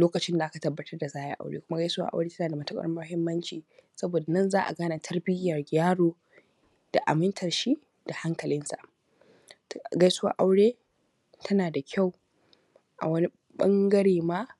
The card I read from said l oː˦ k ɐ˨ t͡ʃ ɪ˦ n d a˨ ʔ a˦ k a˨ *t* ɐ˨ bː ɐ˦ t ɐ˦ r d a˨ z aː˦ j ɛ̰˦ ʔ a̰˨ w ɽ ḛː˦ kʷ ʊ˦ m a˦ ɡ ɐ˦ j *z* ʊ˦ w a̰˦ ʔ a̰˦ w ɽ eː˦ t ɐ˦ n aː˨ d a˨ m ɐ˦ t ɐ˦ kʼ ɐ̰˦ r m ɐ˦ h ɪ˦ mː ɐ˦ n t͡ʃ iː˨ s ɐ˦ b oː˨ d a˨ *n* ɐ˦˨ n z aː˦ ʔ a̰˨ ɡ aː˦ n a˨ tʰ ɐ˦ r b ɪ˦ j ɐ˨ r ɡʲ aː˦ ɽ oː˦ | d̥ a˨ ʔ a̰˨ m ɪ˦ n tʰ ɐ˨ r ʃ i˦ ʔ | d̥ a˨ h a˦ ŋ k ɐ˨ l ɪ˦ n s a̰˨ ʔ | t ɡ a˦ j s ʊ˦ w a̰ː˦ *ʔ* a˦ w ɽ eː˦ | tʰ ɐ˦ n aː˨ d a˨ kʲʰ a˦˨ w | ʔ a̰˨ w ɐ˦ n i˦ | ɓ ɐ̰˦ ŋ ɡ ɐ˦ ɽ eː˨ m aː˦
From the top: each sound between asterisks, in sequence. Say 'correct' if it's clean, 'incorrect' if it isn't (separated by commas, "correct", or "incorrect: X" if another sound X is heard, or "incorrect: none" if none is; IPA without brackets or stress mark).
correct, incorrect: s, correct, correct